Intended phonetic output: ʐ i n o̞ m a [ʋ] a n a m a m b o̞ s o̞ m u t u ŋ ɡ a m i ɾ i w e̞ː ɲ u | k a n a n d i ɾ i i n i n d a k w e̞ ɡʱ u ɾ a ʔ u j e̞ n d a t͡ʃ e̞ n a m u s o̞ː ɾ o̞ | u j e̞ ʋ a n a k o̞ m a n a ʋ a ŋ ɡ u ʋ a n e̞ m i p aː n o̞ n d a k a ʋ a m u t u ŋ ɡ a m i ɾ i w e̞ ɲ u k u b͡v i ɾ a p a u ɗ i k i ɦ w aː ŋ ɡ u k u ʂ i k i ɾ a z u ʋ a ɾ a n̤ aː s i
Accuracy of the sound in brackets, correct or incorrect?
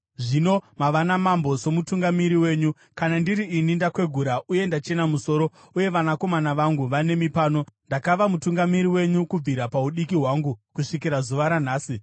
correct